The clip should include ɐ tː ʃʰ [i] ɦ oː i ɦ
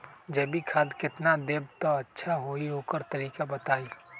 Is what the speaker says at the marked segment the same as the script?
no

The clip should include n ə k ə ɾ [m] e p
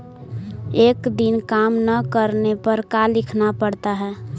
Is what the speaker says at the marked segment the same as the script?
no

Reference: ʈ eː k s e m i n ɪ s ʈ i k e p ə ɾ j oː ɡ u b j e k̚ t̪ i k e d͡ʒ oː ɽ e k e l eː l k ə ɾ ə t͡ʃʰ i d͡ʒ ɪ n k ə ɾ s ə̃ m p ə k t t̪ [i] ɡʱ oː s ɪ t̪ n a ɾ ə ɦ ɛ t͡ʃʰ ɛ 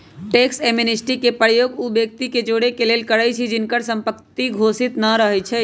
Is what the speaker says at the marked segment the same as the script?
yes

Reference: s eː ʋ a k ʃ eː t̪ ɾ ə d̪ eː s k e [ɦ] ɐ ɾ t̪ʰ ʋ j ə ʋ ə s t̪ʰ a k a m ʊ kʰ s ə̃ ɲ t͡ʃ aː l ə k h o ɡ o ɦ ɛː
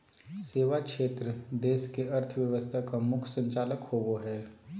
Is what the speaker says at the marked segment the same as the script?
no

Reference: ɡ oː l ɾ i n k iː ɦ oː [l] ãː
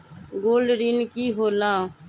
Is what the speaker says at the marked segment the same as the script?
yes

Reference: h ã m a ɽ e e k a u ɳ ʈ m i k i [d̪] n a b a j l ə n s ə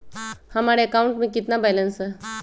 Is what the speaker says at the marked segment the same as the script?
no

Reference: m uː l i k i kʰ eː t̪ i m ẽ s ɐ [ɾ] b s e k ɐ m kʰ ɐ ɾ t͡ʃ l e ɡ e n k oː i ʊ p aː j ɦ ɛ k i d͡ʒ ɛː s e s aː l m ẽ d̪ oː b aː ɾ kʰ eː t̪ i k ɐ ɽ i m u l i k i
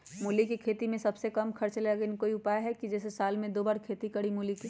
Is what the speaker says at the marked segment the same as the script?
no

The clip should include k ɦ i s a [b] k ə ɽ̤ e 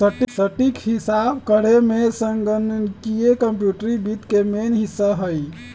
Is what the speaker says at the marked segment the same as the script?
yes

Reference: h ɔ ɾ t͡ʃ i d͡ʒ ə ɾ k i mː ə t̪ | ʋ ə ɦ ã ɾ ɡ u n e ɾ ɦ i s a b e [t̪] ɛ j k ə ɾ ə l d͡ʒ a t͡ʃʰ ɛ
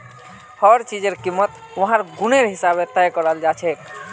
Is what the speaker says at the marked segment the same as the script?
yes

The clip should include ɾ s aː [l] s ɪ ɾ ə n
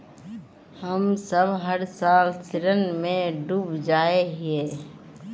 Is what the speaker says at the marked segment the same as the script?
yes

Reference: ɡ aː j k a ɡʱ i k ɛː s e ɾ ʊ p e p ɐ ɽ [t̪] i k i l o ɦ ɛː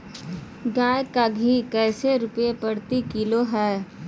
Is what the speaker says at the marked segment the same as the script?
yes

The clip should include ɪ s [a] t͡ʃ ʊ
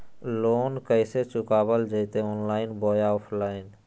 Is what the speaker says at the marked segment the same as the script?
no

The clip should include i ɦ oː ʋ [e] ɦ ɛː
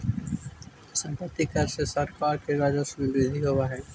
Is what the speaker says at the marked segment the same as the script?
no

